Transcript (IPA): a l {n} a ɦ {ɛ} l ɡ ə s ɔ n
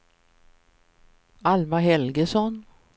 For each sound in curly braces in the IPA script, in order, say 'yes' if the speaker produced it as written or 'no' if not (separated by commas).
no, yes